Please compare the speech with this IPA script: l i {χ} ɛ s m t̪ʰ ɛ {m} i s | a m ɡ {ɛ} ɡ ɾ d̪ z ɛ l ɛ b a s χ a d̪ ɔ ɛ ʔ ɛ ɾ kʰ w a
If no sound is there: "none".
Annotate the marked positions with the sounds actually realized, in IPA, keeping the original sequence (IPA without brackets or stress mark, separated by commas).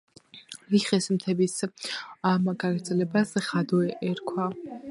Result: χ, b, a